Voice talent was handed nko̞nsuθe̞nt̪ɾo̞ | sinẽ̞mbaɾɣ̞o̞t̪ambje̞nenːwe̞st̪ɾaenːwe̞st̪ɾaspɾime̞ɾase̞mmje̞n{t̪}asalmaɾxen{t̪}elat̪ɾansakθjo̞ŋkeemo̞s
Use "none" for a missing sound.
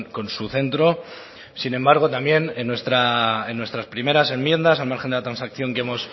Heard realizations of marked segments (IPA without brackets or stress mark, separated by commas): d̪, d̪